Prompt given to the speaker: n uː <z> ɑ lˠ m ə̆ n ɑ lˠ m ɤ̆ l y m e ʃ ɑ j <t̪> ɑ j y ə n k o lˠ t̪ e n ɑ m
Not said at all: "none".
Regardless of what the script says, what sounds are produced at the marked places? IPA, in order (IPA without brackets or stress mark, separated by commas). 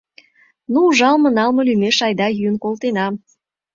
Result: ʒ, d̪